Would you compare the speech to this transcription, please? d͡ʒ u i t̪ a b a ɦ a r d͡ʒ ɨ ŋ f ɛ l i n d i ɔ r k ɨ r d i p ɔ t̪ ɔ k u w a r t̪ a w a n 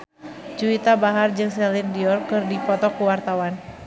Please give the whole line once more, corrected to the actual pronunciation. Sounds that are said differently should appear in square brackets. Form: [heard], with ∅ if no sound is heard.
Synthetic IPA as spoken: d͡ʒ u i t̪ a b a ɦ a r d͡ʒ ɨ ŋ [s] ɛ l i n d i ɔ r k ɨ r d i p ɔ t̪ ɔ k u w a r t̪ a w a n